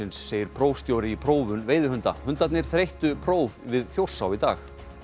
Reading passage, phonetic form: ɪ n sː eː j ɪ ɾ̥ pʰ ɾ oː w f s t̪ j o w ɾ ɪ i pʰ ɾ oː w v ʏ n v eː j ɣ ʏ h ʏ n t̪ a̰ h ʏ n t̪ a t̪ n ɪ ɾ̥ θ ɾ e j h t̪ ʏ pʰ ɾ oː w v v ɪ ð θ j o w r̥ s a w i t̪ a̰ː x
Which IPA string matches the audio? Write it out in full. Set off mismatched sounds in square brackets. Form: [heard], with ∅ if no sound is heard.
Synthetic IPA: ɪ n sː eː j ɪ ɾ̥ pʰ ɾ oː w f s t̪ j o w ɾ ɪ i pʰ ɾ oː w v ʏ n v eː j [ð] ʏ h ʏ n t̪ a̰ h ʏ n t̪ a t̪ n ɪ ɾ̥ θ ɾ e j h t̪ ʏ pʰ ɾ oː w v v ɪ ð θ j o w r̥ s a w i t̪ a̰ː x